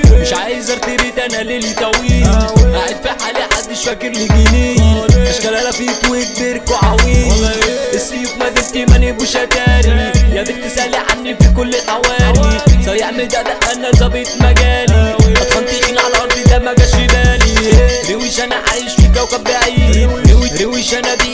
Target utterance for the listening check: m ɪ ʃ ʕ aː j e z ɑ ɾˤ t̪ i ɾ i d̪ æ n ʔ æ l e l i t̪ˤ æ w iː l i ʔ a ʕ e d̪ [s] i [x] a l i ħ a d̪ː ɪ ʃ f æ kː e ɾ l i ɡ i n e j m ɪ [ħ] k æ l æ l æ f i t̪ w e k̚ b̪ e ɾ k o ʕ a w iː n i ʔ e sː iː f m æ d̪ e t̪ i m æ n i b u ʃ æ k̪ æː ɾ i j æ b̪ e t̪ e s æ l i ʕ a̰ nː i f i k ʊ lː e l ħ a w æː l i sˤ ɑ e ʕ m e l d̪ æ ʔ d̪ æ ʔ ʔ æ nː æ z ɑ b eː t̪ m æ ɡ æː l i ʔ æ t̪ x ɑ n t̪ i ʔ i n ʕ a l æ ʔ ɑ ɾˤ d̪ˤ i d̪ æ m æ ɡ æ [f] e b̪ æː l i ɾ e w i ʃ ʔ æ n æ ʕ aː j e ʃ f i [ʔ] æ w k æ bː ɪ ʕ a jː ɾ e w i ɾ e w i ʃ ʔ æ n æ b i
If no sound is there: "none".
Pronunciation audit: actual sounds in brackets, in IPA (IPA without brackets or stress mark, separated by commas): f, ħ, ʃ, ʃ, k